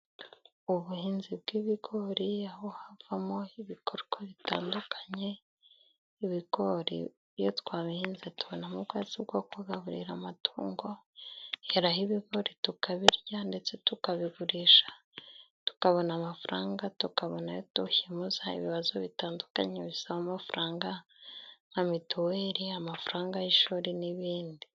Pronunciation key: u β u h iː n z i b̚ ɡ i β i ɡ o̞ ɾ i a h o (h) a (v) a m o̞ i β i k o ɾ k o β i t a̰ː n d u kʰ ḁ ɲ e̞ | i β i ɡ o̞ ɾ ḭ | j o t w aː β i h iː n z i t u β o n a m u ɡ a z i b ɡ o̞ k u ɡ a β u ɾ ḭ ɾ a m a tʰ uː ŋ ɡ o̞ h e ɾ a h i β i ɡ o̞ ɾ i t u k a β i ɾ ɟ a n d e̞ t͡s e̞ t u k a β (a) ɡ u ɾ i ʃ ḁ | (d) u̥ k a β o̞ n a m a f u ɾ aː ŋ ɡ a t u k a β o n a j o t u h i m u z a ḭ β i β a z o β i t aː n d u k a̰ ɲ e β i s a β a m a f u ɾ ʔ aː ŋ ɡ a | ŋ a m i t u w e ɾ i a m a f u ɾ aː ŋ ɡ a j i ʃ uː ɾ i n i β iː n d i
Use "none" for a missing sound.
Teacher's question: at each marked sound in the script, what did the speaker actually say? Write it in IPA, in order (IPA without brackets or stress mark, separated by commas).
h, v, i, t